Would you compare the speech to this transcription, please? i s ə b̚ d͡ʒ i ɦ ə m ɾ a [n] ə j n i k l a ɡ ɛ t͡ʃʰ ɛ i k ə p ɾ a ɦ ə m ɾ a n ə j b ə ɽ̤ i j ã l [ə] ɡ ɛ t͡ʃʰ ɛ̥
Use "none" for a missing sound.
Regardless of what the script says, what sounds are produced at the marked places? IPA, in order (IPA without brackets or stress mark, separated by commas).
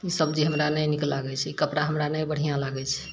n, a